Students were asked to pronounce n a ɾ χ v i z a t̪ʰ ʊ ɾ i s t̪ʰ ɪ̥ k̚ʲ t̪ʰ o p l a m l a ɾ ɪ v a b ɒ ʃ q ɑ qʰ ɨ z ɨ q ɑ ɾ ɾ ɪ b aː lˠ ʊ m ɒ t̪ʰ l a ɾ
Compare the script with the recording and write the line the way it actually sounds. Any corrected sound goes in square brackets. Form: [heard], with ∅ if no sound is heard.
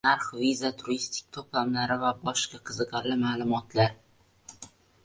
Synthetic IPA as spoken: n a ɾ χ v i z a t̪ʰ ʊ ɾ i s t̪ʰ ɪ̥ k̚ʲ t̪ʰ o p l a m l a ɾ ɪ v a b ɒ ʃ q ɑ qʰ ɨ z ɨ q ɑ ɾ [l] ɪ [m] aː lˠ ʊ m ɒ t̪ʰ l a ɾ